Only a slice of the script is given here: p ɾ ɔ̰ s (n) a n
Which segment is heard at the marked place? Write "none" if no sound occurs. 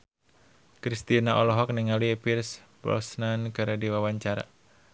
n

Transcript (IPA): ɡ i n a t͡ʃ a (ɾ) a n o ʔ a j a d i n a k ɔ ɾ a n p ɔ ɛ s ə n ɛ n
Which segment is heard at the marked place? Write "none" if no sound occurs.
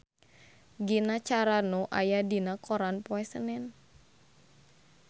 ɾ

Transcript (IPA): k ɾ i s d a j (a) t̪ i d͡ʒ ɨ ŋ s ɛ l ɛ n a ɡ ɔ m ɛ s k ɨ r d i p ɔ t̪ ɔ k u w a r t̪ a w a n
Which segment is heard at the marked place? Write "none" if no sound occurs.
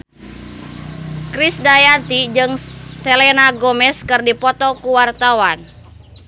a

